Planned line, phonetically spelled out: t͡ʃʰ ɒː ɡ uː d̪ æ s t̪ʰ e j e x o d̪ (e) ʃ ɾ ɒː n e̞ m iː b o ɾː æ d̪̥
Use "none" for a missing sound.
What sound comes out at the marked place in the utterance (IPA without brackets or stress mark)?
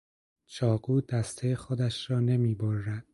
æ